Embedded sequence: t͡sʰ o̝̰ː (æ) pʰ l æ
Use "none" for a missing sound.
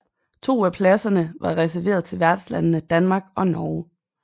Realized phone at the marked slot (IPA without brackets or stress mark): æ